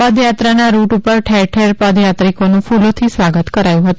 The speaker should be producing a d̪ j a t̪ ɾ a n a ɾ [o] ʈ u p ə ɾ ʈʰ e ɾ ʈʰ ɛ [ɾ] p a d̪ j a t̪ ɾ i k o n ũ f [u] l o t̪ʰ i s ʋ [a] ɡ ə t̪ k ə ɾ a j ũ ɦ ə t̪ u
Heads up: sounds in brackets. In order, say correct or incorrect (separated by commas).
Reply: incorrect, correct, correct, correct